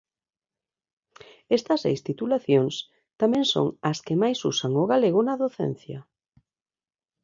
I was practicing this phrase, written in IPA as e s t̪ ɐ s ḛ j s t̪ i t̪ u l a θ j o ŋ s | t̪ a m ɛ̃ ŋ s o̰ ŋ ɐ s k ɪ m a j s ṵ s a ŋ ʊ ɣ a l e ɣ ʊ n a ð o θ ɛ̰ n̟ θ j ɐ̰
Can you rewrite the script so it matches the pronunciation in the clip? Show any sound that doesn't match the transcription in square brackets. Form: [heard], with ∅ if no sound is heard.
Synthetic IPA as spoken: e s t̪ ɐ s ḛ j s t̪ i t̪ u l a θ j o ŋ s | t̪ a m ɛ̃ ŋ s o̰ ŋ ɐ s k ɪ m a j s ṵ s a ŋ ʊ ɣ a l e ɣ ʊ n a ð o θ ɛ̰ n̟ θ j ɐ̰